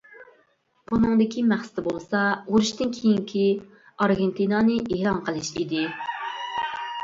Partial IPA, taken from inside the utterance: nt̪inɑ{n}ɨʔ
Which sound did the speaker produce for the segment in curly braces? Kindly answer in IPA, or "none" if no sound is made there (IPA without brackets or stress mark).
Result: n